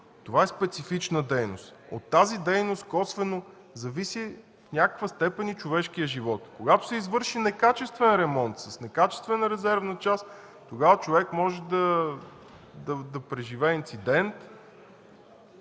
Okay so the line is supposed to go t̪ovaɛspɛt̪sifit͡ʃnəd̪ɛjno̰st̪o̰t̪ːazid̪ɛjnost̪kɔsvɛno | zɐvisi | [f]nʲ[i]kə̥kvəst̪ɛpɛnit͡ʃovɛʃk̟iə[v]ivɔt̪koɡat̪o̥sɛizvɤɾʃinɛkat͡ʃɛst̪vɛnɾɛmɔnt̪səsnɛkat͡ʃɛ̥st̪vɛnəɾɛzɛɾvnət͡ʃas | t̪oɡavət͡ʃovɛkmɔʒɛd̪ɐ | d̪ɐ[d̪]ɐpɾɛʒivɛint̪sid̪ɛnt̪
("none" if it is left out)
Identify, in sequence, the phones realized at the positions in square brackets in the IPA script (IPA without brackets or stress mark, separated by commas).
f, a, ʒ, d̪